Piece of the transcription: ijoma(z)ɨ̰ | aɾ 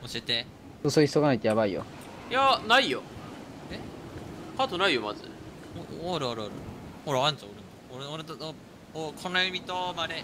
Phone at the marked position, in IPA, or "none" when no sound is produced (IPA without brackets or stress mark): z